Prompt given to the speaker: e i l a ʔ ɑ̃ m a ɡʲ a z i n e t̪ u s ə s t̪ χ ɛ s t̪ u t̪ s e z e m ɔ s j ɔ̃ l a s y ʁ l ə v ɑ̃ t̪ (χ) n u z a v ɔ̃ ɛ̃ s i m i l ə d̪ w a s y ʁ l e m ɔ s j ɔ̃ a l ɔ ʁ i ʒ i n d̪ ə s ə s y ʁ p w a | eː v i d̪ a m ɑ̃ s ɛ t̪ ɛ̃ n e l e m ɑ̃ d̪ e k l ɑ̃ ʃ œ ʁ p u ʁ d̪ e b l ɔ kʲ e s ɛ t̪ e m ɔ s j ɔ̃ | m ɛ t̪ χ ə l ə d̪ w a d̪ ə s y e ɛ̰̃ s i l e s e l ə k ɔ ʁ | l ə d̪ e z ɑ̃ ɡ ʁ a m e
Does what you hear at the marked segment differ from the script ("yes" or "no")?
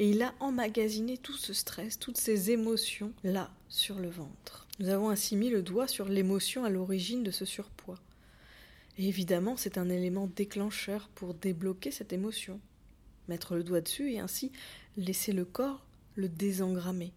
no